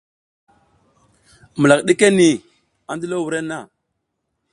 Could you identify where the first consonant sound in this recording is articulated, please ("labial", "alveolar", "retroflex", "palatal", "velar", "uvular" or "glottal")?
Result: labial